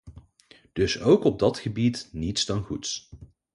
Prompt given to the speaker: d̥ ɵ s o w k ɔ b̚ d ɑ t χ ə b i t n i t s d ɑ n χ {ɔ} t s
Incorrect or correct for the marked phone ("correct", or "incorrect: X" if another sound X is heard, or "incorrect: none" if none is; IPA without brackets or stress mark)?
incorrect: u